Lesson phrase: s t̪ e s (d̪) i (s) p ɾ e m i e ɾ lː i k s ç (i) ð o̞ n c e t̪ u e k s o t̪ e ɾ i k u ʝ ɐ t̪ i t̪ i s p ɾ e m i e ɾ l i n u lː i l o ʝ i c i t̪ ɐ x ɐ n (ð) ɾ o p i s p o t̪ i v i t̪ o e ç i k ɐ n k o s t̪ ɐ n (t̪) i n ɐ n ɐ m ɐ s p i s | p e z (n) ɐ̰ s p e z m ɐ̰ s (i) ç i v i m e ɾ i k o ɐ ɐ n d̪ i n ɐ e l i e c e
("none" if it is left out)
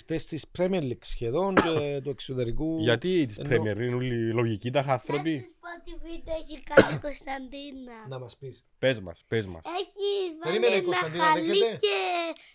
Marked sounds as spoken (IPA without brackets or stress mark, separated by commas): t̪, s, e, θ, d̪, m, e